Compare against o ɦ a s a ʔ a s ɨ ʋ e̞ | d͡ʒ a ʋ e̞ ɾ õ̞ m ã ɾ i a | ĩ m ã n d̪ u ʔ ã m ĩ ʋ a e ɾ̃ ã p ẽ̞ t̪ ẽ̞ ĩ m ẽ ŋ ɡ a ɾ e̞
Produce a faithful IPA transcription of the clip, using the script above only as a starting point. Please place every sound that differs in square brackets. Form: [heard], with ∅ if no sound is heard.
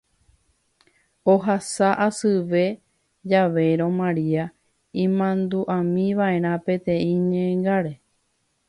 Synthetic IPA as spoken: o ɦ a s a ʔ a s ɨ ʋ e̞ | d͡ʒ a ʋ e̞ ɾ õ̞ m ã ɾ i a | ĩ m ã n d̪ u ʔ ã m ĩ ʋ a e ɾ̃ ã p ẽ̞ t̪ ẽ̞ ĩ [ɲ] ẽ ŋ ɡ a ɾ e̞